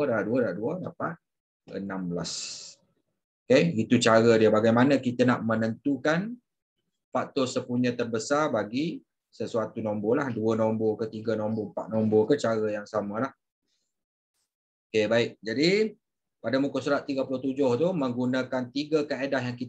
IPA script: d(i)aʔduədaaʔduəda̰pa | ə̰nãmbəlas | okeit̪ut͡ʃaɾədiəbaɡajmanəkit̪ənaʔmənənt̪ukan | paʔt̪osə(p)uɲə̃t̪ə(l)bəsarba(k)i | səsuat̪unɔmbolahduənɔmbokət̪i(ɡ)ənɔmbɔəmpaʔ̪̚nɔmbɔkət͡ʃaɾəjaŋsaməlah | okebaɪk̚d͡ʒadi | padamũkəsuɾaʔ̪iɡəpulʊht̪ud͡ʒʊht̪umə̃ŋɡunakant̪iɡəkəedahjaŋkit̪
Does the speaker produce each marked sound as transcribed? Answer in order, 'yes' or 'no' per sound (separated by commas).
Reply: no, yes, no, no, yes